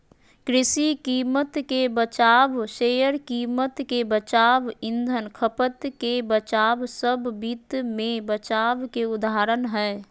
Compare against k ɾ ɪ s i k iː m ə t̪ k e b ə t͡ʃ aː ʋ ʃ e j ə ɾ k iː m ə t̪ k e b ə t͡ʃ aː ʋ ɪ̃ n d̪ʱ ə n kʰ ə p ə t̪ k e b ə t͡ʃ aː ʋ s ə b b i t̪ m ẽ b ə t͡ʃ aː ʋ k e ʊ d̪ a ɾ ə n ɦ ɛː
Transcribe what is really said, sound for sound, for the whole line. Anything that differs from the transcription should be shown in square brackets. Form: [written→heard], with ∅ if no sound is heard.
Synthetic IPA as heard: k ɾ ɪ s i k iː m ə t̪ k e b ə t͡ʃ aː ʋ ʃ e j ə ɾ k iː m ə t̪ k e b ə t͡ʃ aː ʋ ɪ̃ n d̪ʱ ə n kʰ ə p ə t̪ k e b ə t͡ʃ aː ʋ s ə b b i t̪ m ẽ b ə t͡ʃ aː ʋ k e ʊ d̪ a ɾ ə n ɦ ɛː